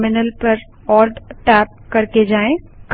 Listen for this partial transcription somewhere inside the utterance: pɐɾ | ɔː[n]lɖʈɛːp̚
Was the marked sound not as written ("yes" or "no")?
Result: yes